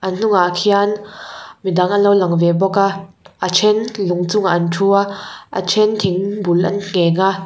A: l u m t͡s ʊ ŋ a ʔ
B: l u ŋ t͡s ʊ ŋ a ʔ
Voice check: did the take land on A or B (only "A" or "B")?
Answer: B